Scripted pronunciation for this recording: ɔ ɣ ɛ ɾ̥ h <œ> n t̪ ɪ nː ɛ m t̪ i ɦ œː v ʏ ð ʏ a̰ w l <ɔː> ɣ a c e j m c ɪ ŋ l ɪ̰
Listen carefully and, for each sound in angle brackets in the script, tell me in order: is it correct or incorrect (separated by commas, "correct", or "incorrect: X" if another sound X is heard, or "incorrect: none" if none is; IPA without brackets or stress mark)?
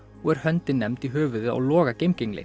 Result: correct, correct